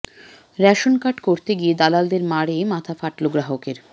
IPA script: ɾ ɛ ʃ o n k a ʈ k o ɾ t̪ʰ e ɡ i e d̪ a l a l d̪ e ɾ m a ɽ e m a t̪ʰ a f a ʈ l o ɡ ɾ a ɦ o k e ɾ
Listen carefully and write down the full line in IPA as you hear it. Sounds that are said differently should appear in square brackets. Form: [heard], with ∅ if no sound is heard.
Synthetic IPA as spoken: ɾ ɛ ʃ o n k a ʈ k o ɾ [t̪] e ɡ i e d̪ a l a l d̪ e ɾ m a ɽ e m a t̪ʰ a f a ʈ l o ɡ ɾ a ɦ o k e ɾ